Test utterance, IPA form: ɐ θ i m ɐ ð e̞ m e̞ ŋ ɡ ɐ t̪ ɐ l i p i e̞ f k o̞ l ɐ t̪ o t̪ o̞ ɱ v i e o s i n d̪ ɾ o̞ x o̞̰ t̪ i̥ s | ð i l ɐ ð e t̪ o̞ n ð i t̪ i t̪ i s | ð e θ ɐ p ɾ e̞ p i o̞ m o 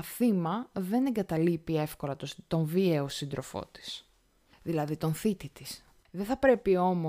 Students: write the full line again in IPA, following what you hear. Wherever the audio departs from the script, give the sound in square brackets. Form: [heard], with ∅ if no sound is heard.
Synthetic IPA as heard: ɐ θ i m ɐ ð e̞ [n] e̞ ŋ ɡ ɐ t̪ ɐ l i p i e̞ f k o̞ l ɐ t̪ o t̪ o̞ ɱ v i e o s i n d̪ ɾ o̞ [f] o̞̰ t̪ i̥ s | ð i l ɐ ð [i] t̪ o̞ n [θ] i t̪ i t̪ i s | ð e θ ɐ p ɾ e̞ p i o̞ m o